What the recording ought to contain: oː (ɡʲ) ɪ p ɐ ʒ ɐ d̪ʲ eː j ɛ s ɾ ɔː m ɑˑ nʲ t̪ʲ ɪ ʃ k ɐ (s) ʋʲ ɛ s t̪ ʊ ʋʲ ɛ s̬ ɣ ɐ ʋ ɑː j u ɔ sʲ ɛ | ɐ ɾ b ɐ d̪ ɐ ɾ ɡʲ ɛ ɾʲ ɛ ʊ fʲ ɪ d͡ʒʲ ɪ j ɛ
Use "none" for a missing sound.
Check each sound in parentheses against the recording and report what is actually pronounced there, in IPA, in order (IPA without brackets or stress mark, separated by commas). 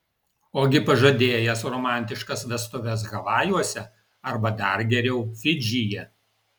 ɡʲ, s